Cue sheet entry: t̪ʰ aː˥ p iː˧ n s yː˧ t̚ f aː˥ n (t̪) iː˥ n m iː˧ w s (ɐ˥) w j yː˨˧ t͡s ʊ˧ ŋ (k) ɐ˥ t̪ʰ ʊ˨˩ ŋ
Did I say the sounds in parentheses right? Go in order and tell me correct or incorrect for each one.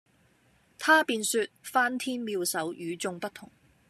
incorrect, incorrect, incorrect

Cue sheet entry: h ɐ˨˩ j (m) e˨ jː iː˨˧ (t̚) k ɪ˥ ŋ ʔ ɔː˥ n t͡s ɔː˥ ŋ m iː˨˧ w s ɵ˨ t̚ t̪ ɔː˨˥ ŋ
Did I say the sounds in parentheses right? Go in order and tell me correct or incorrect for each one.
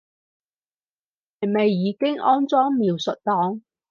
correct, incorrect

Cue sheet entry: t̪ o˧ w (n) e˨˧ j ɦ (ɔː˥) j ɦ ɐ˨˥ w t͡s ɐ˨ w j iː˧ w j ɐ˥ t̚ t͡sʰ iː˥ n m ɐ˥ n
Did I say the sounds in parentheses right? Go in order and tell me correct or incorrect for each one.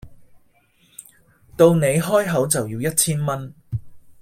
correct, correct

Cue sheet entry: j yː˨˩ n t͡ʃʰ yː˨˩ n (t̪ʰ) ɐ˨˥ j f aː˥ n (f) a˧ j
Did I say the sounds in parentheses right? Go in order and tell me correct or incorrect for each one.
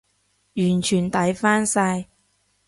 incorrect, incorrect

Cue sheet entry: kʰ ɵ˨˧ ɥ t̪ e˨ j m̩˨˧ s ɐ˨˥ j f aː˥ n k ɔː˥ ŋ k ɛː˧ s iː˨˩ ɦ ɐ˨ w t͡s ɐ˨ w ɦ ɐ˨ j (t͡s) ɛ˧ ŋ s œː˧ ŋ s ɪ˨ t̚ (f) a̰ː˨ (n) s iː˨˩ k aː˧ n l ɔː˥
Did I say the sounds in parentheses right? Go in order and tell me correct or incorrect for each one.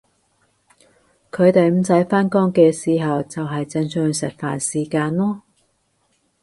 correct, correct, correct

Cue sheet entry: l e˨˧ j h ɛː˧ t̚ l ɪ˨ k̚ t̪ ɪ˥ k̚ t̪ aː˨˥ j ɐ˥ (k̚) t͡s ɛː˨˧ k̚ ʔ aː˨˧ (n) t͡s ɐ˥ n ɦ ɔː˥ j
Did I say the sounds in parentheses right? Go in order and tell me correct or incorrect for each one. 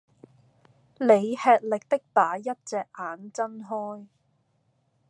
incorrect, correct

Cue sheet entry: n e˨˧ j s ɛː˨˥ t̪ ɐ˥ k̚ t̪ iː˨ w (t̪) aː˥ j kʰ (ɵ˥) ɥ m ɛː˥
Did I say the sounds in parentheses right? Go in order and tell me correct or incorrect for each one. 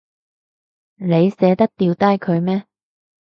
correct, incorrect

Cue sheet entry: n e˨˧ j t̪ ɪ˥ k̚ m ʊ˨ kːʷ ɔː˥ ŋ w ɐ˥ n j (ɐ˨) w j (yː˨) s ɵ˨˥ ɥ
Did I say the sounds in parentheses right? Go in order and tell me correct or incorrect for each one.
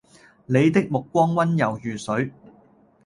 correct, correct

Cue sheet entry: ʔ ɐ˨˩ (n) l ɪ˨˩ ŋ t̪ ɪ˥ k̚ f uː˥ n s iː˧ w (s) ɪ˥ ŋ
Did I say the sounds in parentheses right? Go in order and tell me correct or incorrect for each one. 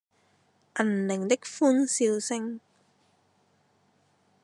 correct, correct

